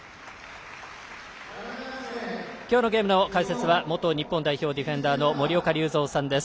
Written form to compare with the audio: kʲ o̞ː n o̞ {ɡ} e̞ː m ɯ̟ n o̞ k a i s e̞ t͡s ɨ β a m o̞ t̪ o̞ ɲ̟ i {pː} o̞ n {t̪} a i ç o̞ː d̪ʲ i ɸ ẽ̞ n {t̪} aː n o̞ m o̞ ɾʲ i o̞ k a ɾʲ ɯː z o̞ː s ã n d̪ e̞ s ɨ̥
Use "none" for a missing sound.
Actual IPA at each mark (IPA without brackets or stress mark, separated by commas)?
ɡ, pː, d̪, d̪